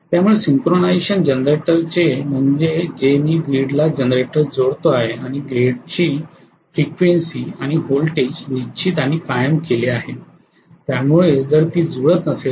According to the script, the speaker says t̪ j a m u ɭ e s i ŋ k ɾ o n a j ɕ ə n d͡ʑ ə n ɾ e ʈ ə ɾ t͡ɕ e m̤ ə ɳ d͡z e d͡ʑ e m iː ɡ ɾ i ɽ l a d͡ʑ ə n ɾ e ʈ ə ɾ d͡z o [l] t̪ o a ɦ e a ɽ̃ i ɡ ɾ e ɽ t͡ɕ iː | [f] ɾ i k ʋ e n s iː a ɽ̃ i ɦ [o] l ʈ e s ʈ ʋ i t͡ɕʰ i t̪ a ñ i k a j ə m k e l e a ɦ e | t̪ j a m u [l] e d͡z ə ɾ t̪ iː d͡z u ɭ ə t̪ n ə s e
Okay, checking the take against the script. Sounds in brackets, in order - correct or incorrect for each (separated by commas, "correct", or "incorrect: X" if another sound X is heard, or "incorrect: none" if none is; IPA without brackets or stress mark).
incorrect: ɽ, correct, correct, incorrect: ɭ